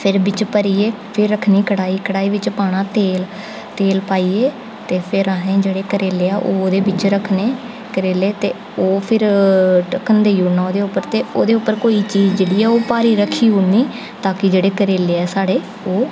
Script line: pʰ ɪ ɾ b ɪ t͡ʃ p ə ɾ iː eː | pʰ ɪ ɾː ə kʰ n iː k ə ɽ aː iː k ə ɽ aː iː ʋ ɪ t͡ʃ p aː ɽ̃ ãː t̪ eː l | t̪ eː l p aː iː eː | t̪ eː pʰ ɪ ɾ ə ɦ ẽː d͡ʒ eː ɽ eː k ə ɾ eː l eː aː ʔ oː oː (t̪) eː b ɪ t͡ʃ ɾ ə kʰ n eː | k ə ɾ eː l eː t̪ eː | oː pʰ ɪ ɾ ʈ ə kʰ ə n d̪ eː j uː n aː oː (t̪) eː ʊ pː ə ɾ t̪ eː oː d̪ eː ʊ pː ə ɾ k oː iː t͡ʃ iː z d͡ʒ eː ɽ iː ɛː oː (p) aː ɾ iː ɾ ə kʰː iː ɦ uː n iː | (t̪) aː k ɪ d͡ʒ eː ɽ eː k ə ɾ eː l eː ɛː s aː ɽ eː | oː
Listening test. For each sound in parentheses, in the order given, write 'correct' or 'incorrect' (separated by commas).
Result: incorrect, incorrect, correct, correct